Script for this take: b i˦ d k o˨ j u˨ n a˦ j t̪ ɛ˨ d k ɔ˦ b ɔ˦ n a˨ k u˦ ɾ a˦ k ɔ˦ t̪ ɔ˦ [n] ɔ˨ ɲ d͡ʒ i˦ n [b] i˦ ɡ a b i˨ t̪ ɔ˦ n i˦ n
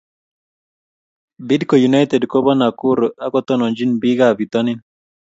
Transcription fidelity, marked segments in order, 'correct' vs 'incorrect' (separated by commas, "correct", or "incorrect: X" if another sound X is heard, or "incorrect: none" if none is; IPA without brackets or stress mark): correct, correct